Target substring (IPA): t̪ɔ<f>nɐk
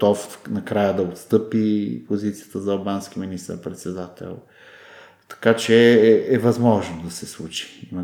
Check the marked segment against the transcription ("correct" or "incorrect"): correct